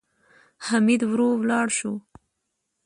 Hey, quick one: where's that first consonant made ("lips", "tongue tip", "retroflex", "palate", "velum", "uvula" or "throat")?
throat